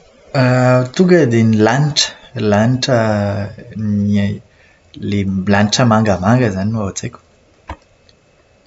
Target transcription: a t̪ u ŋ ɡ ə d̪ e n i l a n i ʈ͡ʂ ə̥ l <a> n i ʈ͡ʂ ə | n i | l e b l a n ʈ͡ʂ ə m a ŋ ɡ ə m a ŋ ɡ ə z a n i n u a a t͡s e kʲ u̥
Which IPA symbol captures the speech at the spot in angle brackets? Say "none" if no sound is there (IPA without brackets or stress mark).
a